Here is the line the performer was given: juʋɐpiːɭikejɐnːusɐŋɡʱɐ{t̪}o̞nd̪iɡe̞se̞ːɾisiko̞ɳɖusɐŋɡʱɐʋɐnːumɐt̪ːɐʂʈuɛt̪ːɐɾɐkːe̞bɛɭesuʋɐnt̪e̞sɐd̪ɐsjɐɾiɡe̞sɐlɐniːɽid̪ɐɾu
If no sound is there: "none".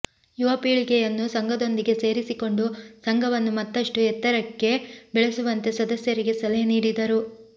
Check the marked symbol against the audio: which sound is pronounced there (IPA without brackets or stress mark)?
d̪